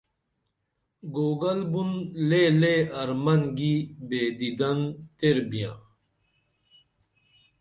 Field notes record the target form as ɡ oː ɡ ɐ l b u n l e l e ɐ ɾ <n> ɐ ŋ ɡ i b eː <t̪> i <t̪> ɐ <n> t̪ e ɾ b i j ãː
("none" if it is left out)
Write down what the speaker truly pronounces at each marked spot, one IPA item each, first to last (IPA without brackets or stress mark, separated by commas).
m, d̪, d̪, n